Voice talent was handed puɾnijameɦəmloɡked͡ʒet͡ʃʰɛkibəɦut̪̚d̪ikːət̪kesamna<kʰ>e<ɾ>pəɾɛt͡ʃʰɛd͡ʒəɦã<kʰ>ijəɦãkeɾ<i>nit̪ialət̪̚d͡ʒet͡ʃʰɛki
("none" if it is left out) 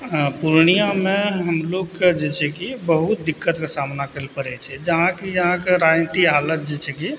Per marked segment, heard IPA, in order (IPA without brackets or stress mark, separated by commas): k, l, k, a